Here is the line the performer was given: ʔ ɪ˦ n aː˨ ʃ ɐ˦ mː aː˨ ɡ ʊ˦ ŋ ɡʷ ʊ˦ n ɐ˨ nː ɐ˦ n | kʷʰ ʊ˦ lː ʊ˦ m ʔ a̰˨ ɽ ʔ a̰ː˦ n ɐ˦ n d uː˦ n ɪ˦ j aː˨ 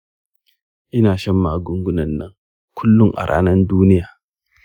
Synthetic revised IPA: ʔ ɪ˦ n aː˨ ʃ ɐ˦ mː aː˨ ɡ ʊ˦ ŋ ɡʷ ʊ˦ n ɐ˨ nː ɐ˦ ŋ | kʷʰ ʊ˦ lː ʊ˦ ŋ ʔ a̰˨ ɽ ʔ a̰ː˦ n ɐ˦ n d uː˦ n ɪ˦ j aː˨